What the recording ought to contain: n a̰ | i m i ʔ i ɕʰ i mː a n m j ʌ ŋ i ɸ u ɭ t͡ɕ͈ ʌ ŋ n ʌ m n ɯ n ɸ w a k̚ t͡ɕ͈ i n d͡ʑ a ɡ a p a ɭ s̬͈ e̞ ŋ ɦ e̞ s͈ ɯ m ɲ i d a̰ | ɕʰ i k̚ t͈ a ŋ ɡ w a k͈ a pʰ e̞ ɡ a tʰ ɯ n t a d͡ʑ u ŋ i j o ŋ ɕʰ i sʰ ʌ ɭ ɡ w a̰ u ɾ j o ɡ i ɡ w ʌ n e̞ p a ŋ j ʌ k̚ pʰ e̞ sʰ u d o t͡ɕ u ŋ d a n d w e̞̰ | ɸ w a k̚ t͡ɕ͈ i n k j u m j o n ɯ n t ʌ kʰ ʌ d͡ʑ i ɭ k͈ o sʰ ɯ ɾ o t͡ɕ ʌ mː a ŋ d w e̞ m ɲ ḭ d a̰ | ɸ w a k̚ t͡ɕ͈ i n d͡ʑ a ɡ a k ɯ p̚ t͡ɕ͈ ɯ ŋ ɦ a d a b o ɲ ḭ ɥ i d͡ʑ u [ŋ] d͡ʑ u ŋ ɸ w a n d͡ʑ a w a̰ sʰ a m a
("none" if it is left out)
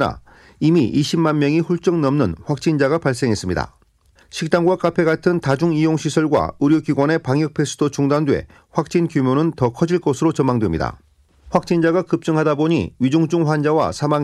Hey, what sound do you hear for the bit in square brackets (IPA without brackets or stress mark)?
ŋ